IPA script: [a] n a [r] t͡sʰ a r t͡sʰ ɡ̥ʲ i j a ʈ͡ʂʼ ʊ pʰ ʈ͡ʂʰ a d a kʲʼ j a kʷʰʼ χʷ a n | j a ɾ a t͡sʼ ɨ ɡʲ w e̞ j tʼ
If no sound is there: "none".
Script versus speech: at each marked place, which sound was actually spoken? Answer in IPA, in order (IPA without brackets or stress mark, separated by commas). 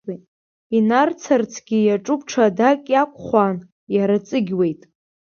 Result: i, r